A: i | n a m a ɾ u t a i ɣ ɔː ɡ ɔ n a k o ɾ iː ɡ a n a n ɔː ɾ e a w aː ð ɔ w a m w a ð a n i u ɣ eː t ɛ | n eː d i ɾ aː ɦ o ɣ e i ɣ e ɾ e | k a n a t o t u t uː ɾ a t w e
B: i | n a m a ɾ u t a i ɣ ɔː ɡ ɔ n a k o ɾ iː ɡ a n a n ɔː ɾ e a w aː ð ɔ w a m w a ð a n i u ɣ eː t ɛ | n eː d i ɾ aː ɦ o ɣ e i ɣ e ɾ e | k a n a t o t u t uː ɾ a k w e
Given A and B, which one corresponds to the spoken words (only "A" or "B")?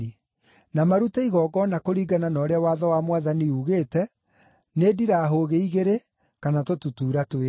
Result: A